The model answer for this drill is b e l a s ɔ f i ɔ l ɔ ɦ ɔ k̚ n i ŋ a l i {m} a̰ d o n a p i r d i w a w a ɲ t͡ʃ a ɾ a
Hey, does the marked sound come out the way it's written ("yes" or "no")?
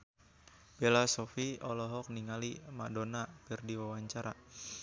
yes